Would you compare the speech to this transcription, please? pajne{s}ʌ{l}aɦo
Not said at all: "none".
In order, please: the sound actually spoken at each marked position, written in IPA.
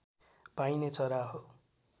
t͡s, ɾ

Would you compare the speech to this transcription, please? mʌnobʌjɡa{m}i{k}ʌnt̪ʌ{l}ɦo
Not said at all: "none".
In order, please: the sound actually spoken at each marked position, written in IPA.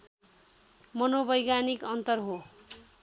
n, k, r

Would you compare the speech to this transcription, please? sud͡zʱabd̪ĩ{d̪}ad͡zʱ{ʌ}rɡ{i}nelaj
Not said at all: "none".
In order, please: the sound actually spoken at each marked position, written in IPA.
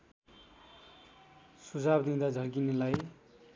d̪, ʌ, i

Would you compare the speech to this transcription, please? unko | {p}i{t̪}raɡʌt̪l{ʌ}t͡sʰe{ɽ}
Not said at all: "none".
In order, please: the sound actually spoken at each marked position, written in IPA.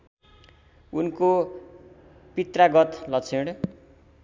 p, t̪, ʌ, ɽ

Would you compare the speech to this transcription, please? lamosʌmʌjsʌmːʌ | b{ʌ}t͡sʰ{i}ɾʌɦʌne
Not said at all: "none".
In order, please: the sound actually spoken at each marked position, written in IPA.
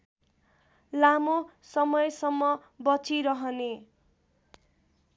ʌ, i

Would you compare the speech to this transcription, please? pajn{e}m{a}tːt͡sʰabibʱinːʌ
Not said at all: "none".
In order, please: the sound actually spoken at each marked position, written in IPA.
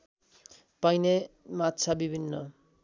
e, a

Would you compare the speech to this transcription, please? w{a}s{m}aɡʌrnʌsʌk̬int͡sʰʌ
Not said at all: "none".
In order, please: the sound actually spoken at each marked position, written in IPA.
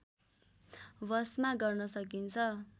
ʌ, m

